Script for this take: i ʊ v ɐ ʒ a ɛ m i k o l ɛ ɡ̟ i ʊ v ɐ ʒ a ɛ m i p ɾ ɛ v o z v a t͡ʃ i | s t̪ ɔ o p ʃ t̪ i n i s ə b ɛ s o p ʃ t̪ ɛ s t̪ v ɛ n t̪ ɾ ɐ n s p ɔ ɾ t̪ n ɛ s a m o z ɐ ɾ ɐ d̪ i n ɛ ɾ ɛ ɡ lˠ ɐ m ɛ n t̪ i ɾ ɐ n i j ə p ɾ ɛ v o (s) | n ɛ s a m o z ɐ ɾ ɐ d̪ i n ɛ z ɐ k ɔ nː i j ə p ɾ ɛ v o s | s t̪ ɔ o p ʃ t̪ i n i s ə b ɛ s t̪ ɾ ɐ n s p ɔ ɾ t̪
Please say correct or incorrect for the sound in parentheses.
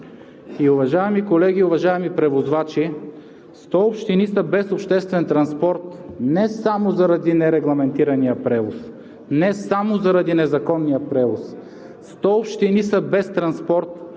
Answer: correct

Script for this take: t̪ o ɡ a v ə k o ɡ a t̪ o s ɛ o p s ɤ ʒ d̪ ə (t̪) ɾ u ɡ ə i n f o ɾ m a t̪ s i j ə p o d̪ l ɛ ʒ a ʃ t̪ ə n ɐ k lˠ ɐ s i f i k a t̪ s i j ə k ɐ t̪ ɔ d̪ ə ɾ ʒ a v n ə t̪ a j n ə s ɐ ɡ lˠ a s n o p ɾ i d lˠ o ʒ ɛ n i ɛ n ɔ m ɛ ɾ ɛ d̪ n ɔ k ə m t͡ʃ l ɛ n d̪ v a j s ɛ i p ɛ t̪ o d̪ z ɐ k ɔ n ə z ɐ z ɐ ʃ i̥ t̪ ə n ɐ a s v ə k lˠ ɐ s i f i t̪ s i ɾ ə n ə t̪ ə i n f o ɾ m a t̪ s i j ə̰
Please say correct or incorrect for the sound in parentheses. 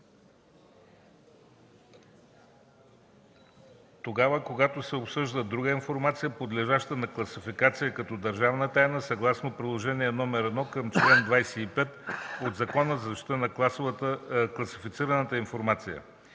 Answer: incorrect: d̪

